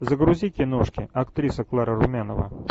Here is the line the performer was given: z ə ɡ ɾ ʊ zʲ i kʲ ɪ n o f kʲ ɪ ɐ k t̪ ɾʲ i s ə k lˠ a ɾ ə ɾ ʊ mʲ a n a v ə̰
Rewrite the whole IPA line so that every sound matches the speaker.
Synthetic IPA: z ə ɡ ɾ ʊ zʲ i kʲ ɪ n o ʂ kʲ ɪ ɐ k t̪ ɾʲ i s ə k lˠ a ɾ ə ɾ ʊ mʲ a n ə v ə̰